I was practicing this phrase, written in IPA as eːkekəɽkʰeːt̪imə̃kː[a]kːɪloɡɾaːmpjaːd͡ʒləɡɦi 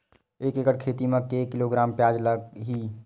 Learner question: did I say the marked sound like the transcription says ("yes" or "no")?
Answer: no